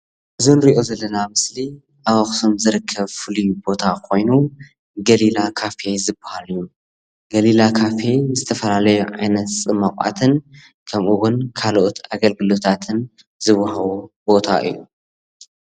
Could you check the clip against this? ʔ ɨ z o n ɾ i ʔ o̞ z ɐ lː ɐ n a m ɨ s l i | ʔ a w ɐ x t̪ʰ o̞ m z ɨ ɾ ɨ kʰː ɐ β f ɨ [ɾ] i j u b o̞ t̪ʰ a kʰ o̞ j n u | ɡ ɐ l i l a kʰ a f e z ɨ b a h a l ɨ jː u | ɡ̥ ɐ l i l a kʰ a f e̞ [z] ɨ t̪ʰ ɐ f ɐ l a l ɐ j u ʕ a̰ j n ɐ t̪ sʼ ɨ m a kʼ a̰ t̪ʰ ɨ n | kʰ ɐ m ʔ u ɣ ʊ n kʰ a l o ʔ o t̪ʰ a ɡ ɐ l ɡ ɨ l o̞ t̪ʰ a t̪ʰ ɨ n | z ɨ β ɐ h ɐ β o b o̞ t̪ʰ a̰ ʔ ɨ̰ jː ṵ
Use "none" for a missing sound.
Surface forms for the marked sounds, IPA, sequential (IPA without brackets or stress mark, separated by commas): l, z